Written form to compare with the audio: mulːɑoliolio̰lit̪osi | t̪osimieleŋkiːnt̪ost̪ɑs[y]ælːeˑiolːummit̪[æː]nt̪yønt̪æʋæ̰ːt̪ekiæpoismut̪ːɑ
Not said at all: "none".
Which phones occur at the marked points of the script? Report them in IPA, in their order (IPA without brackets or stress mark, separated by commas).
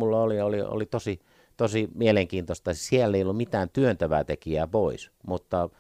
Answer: i, æː